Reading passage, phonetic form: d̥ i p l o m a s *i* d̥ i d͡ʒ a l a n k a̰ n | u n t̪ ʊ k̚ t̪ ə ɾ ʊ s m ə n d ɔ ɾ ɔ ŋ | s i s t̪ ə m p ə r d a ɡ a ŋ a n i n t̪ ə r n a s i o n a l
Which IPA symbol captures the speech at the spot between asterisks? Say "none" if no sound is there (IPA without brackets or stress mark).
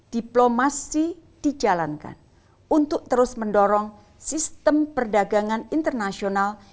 i